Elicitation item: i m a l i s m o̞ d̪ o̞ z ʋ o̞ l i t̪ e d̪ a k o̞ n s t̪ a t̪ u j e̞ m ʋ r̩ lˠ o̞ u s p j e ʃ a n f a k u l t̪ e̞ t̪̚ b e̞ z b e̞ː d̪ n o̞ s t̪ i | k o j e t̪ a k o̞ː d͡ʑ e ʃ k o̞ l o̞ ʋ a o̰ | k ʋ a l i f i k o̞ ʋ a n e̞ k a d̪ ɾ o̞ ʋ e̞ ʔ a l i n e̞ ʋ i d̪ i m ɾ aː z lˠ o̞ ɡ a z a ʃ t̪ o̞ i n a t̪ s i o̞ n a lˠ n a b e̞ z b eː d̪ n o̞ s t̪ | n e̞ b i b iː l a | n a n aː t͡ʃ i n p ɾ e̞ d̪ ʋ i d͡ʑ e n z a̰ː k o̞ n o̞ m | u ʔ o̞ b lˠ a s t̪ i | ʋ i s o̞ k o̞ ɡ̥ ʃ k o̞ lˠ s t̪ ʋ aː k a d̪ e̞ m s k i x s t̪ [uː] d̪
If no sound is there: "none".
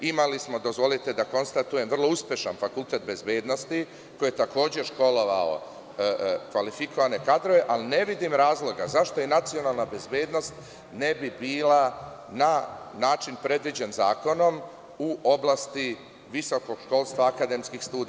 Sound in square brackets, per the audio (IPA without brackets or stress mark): uː